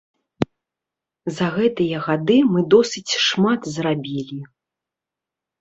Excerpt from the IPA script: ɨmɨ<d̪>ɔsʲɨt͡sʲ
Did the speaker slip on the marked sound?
no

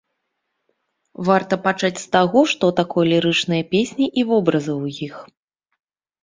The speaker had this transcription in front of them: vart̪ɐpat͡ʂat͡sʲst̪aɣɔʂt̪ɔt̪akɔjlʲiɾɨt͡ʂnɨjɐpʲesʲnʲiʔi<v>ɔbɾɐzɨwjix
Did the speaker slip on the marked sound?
no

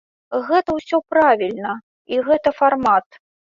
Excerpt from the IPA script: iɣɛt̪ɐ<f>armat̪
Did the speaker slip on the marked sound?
no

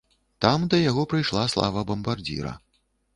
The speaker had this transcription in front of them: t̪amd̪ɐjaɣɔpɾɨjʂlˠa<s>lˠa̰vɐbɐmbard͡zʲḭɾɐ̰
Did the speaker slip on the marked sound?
no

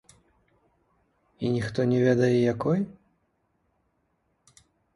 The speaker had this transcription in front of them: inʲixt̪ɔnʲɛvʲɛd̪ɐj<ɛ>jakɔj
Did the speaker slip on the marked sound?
no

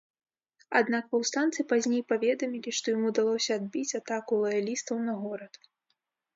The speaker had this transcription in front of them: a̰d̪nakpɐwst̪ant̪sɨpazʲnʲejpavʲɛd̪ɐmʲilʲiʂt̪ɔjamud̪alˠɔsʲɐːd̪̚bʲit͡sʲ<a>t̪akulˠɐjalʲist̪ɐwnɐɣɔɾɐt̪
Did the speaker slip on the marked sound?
no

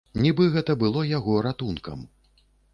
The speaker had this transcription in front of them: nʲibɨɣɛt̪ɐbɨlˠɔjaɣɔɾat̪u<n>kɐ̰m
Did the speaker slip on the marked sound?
no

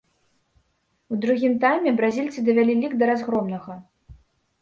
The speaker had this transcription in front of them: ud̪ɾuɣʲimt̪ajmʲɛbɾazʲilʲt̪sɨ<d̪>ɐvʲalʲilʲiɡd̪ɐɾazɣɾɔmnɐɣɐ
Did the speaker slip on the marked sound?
no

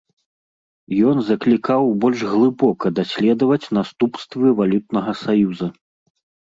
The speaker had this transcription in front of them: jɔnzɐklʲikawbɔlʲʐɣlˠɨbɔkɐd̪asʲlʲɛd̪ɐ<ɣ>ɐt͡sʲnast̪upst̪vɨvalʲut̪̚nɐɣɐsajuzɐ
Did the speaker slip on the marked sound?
yes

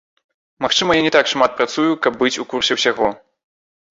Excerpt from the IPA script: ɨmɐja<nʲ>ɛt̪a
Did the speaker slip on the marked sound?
no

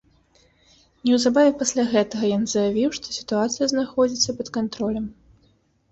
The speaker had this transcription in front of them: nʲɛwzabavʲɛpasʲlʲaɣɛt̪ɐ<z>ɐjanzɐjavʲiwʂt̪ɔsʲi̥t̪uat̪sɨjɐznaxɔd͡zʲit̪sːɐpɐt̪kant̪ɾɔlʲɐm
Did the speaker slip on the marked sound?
yes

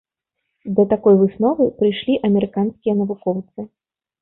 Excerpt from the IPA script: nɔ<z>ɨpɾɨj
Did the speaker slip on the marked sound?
yes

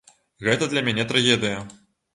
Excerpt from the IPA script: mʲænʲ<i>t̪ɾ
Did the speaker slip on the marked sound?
yes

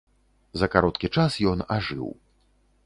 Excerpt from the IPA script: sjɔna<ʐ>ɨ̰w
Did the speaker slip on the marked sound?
no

